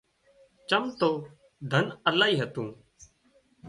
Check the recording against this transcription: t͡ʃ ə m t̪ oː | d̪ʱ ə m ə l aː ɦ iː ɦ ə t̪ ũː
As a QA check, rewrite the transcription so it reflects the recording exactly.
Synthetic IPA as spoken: t͡ʃ ə m t̪ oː | d̪ʱ ə n ə l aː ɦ iː ɦ ə t̪ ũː